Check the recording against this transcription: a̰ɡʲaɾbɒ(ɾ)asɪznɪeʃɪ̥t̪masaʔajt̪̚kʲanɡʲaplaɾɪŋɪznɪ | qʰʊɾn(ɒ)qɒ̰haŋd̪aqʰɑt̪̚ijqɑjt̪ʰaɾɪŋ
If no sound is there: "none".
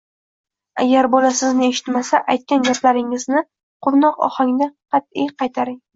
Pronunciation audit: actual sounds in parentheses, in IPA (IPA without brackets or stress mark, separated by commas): l, ɒ